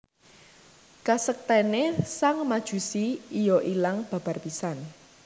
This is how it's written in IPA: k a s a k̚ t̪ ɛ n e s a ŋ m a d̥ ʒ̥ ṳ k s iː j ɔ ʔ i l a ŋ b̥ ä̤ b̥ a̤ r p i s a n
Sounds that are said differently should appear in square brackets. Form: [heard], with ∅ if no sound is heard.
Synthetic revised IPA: k a s [ə] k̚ t̪ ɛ n e s a ŋ m a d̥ ʒ̥ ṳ [∅] s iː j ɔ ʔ i l a ŋ b̥ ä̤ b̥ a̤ r p i s a n